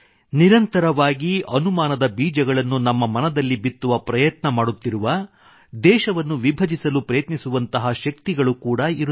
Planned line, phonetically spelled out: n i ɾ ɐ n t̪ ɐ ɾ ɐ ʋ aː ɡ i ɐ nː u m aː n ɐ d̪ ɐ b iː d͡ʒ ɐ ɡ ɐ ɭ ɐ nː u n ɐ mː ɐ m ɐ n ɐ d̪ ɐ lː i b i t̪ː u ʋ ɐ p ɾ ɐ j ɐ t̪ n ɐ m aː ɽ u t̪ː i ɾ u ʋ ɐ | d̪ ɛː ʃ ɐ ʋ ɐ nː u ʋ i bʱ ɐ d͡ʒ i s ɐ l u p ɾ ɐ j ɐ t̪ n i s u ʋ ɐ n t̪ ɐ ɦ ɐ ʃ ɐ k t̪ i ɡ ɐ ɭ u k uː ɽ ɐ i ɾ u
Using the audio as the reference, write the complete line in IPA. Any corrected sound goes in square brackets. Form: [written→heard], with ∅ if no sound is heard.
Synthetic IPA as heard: n i ɾ ɐ n t̪ ɐ ɾ ɐ ʋ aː ɡ i ɐ [nː→n] u m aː n ɐ d̪ ɐ b iː d͡ʒ ɐ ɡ ɐ ɭ ɐ nː u n ɐ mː ɐ m ɐ n ɐ d̪ ɐ lː i b i t̪ː u ʋ ɐ p ɾ ɐ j ɐ t̪ n ɐ m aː ɽ u t̪ː i ɾ u ʋ ɐ | d̪ ɛː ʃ ɐ ʋ ɐ nː u ʋ i bʱ ɐ d͡ʒ i s ɐ l u p ɾ ɐ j ɐ t̪ n i s u ʋ ɐ n t̪ ɐ ɦ ɐ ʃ ɐ k t̪ i ɡ ɐ ɭ u k uː ɽ ɐ i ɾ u